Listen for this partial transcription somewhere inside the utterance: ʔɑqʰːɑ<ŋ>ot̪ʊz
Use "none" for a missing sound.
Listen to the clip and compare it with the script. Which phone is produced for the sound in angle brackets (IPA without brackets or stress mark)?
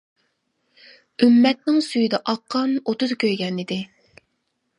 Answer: n